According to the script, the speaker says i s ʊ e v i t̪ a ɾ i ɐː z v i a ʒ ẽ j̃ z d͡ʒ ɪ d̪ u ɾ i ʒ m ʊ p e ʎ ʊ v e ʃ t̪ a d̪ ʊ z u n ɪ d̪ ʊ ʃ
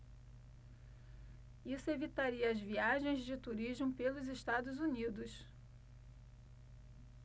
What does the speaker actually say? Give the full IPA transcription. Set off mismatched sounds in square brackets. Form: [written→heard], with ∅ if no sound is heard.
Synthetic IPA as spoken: i s ʊ e v i t̪ a ɾ i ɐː z v i a ʒ ẽ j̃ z d͡ʒ ɪ [d̪→t̪] u ɾ i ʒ m ʊ p e [ʎ→l] ʊ [v→z] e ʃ t̪ a d̪ ʊ z u n [ɪ→i] d̪ ʊ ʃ